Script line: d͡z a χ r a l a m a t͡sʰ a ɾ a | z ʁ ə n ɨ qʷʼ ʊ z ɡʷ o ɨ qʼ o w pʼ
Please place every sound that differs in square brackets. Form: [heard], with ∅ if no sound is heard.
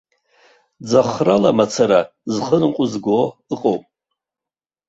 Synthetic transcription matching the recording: d͡z a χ r a l a m a t͡sʰ a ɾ a | z [χ] ə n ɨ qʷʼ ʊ z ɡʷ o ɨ qʼ o w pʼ